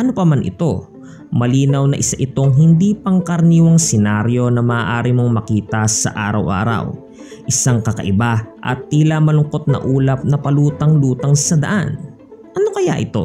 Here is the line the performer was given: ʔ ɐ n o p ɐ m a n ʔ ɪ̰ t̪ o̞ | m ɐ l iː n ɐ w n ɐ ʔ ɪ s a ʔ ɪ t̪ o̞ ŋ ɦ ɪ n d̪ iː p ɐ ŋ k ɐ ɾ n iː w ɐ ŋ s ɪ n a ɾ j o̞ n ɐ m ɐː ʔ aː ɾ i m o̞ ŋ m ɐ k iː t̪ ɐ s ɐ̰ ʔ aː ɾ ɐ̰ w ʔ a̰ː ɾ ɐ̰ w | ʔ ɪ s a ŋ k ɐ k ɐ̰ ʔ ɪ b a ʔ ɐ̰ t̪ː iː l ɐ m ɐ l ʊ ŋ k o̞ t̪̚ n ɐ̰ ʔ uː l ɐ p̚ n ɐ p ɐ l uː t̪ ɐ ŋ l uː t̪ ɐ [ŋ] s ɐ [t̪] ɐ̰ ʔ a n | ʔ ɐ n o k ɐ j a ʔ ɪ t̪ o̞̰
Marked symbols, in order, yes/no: yes, no

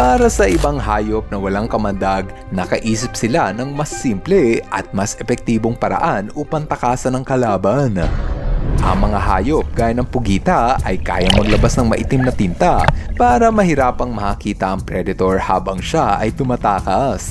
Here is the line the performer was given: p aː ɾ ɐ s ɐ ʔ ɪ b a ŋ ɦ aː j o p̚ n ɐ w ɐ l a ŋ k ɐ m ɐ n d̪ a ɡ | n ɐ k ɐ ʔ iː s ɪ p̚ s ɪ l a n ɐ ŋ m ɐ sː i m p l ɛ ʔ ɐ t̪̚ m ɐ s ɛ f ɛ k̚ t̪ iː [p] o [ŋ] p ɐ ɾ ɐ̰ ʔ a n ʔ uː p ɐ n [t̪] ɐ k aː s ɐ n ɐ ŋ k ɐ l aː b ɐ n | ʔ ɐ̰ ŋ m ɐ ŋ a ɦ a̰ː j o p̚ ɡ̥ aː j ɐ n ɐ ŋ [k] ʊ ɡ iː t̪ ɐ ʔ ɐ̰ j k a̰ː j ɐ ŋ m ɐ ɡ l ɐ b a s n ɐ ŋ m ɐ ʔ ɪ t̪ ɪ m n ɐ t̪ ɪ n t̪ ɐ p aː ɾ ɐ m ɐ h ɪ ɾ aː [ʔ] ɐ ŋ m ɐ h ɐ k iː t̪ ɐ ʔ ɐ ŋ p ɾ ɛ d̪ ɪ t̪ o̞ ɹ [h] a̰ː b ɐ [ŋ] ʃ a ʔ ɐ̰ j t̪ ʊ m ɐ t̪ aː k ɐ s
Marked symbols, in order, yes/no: no, yes, yes, no, no, yes, yes

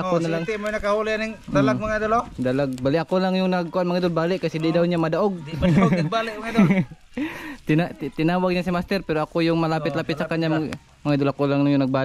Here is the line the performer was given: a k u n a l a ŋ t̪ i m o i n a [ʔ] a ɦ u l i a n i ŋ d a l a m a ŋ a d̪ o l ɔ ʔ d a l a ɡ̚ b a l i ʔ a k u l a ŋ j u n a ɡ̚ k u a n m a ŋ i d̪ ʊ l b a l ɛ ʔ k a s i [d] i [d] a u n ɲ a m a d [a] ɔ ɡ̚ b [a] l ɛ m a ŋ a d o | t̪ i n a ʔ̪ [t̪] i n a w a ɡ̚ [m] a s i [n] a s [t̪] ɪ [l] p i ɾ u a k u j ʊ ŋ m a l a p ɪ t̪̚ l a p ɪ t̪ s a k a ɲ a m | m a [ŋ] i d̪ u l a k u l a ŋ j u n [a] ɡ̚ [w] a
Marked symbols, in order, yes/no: no, yes, yes, yes, yes, yes, no, no, yes, no, yes, yes, no

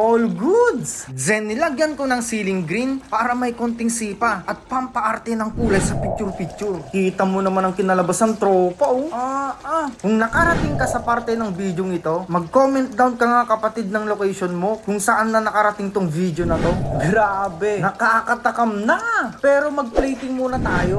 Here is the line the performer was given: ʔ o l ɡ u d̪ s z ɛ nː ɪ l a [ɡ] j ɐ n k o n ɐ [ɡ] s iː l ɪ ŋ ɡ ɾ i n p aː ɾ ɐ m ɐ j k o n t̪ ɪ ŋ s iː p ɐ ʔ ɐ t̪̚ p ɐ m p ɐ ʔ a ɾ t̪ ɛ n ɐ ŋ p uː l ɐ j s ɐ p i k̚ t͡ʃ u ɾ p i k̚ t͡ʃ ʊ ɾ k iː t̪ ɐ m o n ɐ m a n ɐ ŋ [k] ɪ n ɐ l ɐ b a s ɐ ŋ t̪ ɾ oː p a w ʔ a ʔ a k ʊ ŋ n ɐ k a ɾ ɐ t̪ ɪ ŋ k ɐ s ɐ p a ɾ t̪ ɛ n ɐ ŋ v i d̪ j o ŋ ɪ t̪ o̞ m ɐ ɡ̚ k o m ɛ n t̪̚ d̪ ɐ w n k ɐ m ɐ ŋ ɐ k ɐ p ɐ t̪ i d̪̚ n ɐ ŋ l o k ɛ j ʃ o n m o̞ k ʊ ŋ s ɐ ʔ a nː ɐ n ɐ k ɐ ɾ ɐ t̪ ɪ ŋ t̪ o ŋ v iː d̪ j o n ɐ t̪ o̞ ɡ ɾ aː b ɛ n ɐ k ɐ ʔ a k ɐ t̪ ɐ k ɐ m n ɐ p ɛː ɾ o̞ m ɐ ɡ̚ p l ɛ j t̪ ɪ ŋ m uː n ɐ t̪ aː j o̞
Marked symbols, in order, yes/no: yes, no, yes

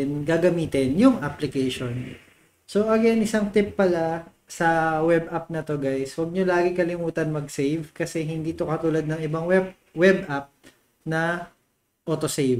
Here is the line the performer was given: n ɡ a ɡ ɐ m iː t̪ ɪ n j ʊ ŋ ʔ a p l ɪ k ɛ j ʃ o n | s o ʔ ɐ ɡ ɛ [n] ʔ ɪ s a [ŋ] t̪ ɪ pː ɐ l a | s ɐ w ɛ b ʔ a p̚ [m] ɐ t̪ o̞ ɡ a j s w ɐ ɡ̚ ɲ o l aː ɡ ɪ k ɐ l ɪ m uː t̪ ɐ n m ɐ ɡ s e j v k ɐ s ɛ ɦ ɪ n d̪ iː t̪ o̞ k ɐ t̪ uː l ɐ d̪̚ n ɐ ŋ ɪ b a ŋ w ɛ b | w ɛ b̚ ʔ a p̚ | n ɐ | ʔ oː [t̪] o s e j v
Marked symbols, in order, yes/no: yes, yes, no, yes

